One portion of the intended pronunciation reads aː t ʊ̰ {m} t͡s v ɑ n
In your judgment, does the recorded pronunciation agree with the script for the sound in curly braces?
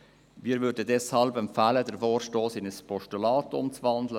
yes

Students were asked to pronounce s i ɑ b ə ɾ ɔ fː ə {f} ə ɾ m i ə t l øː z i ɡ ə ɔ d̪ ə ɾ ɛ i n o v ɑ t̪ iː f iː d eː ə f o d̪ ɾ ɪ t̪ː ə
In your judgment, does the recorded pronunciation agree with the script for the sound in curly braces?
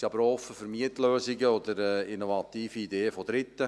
yes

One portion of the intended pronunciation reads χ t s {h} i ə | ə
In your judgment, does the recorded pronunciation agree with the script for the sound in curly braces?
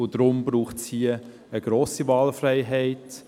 yes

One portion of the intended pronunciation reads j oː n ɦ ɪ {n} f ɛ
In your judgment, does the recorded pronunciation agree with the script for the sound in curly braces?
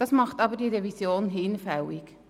yes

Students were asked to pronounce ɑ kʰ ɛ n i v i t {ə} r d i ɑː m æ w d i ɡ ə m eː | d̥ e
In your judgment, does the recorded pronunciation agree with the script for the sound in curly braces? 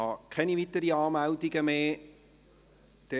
yes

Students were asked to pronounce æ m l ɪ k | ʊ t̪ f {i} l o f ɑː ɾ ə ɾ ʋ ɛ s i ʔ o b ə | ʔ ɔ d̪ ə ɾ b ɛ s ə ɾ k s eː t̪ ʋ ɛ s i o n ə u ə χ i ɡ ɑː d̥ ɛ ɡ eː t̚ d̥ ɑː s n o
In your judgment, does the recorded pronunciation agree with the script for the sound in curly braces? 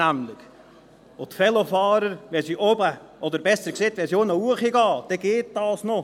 no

